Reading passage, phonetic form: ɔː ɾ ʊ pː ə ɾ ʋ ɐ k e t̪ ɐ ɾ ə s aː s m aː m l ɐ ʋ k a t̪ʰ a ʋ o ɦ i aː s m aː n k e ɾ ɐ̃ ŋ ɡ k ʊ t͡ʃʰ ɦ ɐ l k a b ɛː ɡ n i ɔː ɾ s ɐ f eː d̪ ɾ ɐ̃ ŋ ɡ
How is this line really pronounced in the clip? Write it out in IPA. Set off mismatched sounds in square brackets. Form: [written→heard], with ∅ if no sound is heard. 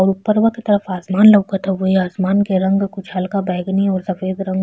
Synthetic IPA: ɔː ɾ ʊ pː ə ɾ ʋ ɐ k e t̪ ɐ ɾ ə [s→f] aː s m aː [m→n] l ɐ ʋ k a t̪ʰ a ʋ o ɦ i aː s m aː n k e ɾ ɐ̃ ŋ ɡ k ʊ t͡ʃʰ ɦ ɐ l k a b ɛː ɡ n i ɔː ɾ s ɐ f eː d̪ ɾ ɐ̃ ŋ ɡ